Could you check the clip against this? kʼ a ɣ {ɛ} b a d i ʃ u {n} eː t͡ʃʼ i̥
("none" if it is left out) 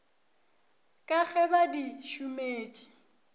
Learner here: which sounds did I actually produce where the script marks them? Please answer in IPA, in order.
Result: ɛ, m

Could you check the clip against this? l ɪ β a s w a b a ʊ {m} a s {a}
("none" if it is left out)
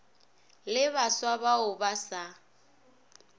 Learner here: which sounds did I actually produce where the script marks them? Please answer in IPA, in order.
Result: b, a

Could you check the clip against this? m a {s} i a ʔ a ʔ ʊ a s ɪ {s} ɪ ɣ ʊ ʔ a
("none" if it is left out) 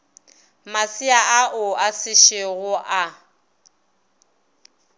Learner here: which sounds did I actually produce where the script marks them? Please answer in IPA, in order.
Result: s, ʃ

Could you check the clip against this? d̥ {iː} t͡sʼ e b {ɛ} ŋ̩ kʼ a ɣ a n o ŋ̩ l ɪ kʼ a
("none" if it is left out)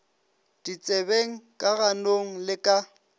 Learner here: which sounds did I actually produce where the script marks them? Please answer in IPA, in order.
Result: i, e

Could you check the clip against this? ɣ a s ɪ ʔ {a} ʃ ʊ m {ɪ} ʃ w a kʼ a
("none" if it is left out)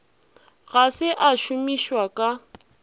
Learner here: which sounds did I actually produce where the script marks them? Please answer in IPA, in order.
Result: a, i

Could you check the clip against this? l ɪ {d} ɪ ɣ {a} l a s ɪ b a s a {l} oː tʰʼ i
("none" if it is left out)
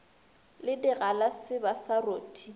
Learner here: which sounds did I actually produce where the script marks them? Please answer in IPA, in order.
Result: d, a, r

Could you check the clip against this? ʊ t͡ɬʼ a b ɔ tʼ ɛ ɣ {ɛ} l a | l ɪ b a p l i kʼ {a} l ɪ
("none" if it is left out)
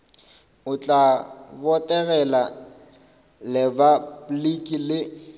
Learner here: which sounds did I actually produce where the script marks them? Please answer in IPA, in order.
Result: ɛ, i

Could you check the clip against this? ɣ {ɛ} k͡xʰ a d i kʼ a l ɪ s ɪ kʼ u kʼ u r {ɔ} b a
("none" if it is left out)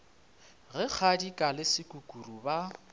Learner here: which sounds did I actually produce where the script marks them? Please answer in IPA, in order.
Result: ɛ, u

